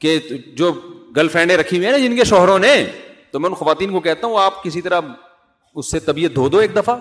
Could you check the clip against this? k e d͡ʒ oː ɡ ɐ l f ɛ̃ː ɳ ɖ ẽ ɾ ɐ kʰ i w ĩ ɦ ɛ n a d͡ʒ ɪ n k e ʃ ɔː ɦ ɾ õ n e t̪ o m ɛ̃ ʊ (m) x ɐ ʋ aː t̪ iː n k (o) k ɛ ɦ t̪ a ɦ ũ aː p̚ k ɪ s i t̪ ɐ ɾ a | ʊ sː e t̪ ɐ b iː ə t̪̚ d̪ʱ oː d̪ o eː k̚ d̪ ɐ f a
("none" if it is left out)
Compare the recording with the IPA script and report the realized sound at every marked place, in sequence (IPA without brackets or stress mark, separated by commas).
n, o